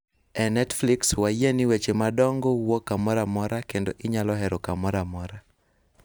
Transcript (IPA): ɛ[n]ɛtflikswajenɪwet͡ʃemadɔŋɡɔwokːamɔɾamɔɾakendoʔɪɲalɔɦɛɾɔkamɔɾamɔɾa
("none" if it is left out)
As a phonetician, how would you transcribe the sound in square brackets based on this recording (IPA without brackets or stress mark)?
n